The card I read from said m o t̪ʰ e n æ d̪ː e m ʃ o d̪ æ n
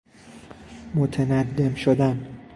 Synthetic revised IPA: m o t̪ʰ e n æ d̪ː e m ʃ o d̪ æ n